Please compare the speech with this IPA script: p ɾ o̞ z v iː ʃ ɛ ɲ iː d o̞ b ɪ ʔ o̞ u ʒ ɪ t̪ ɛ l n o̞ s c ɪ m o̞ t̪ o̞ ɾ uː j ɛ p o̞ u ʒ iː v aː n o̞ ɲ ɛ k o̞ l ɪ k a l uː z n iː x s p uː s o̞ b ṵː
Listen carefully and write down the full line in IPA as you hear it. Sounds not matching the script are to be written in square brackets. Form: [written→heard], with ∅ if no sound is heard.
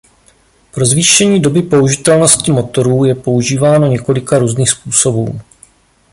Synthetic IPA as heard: p ɾ o̞ z v iː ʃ ɛ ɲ iː d o̞ b ɪ [ʔ→p] o̞ u ʒ ɪ t̪ ɛ l n o̞ s c ɪ m o̞ t̪ o̞ ɾ uː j ɛ p o̞ u ʒ iː v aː n o̞ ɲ ɛ k o̞ l ɪ k a [l→ɾ] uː z n iː x s p uː s o̞ b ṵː